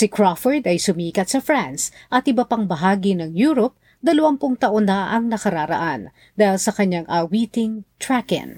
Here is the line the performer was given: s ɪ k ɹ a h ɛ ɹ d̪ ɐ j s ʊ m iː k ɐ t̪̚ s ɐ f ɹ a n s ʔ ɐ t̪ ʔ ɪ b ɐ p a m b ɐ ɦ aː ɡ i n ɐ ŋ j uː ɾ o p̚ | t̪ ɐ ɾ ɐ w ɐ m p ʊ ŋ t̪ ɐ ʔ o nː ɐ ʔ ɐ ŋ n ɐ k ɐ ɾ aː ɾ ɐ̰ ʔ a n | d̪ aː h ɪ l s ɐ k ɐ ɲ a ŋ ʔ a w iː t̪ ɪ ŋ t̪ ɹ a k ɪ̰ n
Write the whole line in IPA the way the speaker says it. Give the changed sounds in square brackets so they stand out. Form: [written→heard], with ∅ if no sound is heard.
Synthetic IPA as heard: s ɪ k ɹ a [h→f] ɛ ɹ d̪ ɐ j s ʊ m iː k ɐ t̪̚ s ɐ f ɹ a n s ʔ ɐ t̪ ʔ ɪ b ɐ p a [m→ŋ] b ɐ ɦ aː ɡ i n ɐ ŋ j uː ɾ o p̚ | [t̪→d̪] ɐ [ɾ→l] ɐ w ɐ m p ʊ ŋ t̪ ɐ ʔ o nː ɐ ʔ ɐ ŋ n ɐ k ɐ ɾ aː ɾ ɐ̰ ʔ a n | d̪ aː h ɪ l s ɐ k ɐ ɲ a ŋ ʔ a w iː t̪ ɪ ŋ t̪ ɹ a k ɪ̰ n